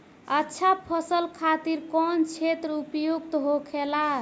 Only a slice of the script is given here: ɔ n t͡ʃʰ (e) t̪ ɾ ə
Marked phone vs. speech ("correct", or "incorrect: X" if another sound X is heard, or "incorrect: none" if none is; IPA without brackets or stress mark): correct